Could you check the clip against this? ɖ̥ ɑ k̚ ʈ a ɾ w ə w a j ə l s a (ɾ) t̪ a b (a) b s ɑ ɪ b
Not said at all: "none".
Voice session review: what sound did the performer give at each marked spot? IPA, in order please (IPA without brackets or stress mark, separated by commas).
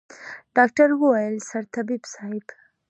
ɾ, i